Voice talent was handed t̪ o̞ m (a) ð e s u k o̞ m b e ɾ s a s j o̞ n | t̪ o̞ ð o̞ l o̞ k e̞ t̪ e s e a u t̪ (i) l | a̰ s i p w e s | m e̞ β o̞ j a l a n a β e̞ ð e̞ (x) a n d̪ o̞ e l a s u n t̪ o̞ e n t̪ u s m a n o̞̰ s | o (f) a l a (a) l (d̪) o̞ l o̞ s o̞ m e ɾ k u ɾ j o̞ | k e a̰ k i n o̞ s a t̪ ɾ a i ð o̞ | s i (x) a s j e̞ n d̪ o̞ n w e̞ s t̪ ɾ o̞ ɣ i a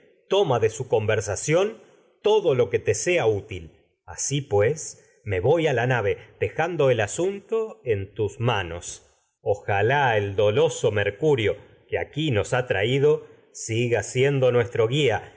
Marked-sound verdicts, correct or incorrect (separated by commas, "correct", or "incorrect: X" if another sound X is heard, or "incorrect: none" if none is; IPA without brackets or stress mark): correct, correct, correct, incorrect: x, incorrect: e, correct, incorrect: ɣ